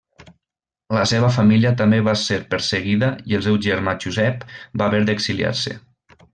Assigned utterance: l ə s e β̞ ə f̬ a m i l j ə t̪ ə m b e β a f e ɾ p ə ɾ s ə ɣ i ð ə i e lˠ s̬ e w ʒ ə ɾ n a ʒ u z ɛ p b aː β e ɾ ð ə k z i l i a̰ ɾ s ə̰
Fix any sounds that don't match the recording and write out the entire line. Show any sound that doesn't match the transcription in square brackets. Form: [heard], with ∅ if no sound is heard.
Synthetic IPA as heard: l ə s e β̞ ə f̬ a m i l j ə t̪ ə m b e β a [s] e ɾ p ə ɾ s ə ɣ i ð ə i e lˠ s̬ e w ʒ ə ɾ [m] a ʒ u z ɛ p b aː β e ɾ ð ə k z i l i a̰ ɾ s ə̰